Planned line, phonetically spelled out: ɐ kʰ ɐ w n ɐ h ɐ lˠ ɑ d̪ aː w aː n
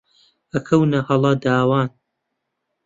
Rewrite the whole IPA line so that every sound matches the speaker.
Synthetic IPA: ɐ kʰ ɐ w n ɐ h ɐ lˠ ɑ d̪ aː w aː n